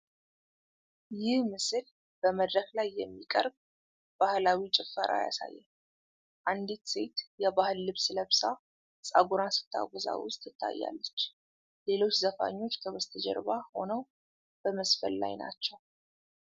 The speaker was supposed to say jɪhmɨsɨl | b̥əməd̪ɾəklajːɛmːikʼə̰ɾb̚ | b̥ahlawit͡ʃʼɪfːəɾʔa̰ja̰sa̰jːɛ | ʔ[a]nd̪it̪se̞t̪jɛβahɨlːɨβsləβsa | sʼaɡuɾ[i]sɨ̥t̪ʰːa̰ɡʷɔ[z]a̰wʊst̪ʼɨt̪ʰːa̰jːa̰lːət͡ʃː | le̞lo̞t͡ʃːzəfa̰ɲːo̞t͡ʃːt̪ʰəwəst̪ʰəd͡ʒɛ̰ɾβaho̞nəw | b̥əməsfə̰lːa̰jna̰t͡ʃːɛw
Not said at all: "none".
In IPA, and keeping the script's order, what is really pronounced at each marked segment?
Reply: a, a, z

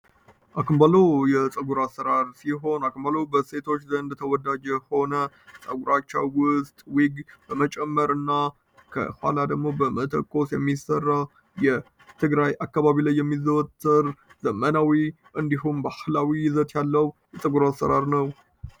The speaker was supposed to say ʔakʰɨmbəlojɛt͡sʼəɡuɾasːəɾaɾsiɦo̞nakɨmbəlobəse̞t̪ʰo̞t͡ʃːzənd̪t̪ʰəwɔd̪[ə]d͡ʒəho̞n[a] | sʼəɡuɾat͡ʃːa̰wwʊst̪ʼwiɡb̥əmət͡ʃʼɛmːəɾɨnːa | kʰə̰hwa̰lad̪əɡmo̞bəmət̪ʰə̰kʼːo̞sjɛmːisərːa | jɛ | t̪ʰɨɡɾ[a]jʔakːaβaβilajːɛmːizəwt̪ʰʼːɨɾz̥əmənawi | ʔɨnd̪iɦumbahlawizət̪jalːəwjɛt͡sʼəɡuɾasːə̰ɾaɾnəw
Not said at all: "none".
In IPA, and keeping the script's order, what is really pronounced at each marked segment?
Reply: a, ə, a

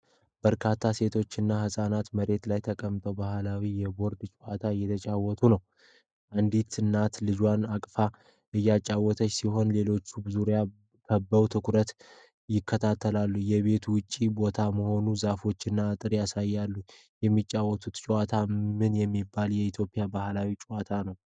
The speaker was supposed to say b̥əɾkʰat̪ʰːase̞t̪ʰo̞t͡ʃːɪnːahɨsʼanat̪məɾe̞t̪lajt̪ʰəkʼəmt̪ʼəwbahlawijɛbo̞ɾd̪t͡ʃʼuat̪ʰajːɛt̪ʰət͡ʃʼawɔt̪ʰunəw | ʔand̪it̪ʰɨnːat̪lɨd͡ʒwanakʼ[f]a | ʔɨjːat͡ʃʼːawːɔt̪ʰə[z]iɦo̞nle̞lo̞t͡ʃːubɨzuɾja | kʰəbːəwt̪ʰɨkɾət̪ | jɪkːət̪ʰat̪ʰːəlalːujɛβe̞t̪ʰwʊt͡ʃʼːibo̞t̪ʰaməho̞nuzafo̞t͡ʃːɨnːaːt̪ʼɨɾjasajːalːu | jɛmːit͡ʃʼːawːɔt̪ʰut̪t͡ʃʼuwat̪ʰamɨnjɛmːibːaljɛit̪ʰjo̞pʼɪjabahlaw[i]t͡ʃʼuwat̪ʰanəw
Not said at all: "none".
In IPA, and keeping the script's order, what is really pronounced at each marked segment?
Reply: f, s, i

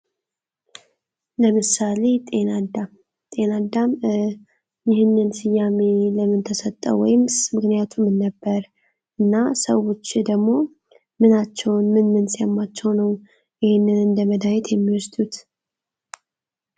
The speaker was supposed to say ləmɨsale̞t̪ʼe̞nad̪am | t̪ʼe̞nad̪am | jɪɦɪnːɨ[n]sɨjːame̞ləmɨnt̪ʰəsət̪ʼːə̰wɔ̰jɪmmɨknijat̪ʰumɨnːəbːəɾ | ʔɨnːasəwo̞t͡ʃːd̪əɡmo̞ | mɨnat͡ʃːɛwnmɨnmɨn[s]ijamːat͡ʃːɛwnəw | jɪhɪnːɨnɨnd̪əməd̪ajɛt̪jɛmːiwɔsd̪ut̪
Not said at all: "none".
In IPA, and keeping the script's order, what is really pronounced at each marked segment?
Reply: n, s

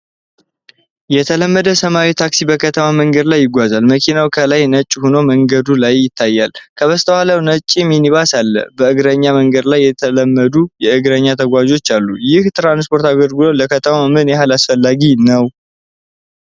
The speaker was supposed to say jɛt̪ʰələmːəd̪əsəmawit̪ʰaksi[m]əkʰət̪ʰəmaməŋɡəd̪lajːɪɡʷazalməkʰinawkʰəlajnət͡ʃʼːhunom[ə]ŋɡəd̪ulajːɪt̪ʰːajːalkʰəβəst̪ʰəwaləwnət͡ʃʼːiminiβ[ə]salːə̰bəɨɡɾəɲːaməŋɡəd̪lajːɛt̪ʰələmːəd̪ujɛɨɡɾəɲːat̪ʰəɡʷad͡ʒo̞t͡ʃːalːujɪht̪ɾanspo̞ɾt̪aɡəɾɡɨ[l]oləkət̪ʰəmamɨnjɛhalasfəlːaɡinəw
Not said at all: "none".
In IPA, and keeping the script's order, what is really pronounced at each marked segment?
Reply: b, ə, a, l

